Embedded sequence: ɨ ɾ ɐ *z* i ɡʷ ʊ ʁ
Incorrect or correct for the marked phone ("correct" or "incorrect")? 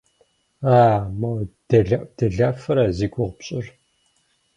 correct